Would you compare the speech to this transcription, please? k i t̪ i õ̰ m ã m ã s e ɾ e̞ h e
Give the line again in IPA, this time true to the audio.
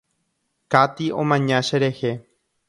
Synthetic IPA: k a t̪ i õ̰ m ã ɲ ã ʃ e ɾ e̞ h e